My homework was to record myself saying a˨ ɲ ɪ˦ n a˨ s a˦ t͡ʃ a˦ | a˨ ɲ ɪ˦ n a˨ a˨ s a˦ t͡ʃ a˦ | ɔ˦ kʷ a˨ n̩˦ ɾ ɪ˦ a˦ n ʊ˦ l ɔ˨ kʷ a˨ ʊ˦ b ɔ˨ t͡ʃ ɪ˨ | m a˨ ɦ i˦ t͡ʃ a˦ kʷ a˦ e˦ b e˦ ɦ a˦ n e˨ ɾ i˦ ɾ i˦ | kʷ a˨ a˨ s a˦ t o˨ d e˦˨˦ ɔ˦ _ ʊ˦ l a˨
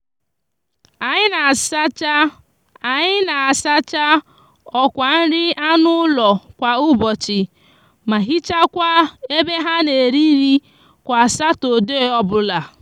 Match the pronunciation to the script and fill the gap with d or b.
b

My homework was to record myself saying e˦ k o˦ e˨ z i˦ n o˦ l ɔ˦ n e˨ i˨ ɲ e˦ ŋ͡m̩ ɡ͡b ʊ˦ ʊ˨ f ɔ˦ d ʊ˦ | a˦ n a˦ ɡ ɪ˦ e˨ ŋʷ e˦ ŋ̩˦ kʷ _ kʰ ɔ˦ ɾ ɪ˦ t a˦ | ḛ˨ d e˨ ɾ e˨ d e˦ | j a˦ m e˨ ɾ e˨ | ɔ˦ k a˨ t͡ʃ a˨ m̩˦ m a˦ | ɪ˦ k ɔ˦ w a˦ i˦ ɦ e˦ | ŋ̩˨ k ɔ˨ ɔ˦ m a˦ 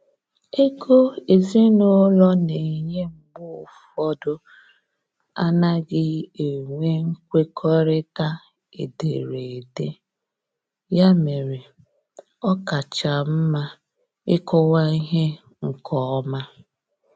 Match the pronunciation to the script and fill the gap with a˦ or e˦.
e˦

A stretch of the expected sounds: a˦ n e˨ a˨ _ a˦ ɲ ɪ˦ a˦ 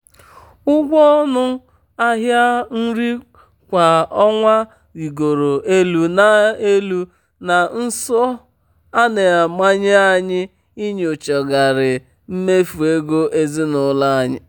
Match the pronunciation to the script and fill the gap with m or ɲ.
m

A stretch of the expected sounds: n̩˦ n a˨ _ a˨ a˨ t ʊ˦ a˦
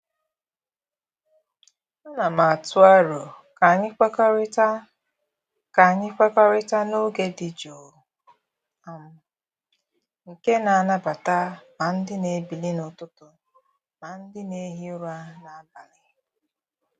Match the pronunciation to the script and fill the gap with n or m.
m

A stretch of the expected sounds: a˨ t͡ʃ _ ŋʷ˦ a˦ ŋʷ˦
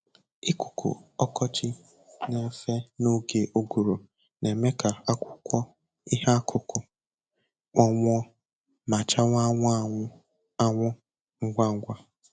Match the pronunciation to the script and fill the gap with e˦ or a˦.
a˦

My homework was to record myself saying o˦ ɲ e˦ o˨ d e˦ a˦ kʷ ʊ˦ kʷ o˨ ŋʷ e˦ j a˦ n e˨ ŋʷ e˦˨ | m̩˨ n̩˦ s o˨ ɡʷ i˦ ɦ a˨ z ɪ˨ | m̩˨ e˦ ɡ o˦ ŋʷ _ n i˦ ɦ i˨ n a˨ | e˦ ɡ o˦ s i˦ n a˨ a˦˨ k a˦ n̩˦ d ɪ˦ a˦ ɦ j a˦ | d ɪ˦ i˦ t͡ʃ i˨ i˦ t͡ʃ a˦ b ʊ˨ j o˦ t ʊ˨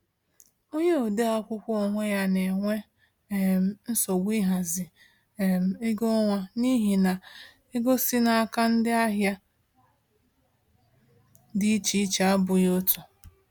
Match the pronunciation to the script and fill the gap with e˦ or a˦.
a˦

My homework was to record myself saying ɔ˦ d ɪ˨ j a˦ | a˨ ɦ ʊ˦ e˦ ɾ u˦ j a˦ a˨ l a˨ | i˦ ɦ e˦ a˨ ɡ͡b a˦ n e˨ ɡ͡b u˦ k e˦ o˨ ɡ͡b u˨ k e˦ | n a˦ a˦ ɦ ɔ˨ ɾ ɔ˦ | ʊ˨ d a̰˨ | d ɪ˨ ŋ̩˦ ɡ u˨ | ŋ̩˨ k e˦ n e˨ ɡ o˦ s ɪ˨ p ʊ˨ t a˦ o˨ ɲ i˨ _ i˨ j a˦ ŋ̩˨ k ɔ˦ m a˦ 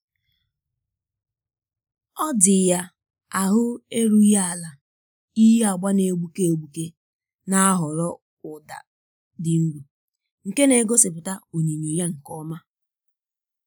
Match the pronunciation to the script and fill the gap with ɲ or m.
ɲ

